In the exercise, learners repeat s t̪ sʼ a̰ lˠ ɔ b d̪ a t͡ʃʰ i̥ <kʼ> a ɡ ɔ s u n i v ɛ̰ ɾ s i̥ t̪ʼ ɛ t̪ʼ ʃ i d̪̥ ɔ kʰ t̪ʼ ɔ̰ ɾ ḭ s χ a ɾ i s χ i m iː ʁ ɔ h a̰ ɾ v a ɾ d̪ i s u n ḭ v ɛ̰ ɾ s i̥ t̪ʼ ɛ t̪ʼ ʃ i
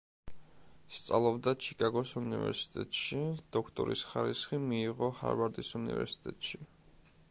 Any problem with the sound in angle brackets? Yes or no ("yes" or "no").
no